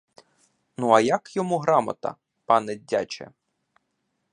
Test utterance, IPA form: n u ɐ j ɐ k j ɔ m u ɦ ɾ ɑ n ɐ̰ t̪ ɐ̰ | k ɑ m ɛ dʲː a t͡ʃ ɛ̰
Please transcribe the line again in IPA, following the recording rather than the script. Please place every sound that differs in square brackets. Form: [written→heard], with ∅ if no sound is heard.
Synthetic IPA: n u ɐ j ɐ k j ɔ m u ɦ ɾ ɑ [n→m] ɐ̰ t̪ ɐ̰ | [k→p] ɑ [m→n] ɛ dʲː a t͡ʃ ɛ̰